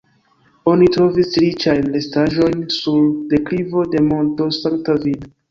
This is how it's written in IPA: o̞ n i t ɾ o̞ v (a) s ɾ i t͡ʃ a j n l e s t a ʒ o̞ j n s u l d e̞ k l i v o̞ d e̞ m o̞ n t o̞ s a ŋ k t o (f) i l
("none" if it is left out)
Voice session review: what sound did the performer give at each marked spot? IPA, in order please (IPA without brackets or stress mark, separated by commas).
i, v